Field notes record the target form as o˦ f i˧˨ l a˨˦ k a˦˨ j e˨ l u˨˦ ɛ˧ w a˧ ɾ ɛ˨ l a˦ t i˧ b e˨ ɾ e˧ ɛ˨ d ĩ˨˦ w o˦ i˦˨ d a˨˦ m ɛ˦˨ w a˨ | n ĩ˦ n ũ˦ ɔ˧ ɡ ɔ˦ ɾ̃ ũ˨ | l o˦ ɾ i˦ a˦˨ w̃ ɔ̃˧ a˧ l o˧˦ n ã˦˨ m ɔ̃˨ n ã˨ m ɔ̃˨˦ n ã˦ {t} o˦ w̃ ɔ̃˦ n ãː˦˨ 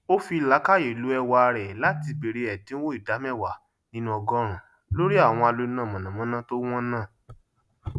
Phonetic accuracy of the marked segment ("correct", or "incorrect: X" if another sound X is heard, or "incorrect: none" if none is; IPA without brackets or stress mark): correct